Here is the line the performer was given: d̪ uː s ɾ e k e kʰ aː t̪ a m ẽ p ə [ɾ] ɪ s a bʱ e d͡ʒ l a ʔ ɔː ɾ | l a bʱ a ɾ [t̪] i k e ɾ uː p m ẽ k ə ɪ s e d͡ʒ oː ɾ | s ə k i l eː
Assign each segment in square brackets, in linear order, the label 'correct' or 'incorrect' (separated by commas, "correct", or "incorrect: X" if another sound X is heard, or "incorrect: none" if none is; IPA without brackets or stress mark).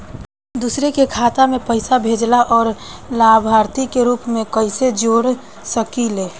incorrect: none, correct